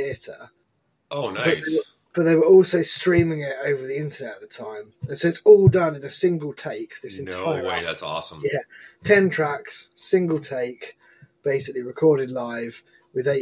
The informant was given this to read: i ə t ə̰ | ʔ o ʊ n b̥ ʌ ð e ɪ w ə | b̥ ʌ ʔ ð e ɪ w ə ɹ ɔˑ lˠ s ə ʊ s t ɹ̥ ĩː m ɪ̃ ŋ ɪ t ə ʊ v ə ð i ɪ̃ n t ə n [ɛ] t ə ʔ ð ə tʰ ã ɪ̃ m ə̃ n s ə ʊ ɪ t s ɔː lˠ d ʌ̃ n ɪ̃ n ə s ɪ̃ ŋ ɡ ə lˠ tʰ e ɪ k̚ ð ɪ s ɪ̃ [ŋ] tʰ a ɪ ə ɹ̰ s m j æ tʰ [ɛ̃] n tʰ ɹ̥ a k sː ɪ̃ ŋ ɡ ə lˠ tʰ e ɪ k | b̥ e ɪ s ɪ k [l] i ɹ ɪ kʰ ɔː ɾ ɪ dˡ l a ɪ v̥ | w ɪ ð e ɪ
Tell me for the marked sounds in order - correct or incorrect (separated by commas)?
correct, incorrect, correct, correct